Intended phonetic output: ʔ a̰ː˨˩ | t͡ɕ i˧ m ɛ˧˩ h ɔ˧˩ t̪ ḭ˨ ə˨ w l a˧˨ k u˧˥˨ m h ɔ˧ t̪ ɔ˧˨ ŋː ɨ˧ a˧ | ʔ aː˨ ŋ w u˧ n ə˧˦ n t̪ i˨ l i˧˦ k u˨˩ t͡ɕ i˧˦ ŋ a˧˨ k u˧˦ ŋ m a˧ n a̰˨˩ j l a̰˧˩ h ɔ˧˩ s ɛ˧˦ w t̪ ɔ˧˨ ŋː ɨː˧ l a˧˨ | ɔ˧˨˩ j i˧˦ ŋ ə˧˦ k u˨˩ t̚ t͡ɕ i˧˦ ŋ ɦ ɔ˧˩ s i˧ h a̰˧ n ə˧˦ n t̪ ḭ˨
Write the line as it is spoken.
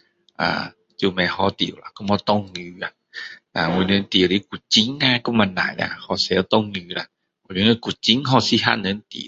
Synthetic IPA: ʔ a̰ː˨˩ | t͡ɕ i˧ m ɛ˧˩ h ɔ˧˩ t̪ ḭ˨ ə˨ w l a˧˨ k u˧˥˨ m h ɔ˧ t̪ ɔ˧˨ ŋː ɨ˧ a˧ | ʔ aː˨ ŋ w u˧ n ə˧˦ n t̪ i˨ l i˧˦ k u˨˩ t͡ɕ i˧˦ ŋ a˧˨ k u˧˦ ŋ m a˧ n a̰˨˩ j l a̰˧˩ h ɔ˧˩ s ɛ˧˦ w t̪ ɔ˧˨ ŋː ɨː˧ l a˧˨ | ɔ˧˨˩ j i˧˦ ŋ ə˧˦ k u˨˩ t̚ t͡ɕ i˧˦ ŋ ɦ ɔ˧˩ s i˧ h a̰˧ n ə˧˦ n t̪ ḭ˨